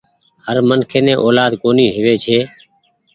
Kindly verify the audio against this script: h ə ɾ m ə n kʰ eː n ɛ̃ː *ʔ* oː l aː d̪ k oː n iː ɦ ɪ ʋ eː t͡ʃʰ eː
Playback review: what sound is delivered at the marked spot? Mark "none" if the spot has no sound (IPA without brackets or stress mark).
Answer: ʔ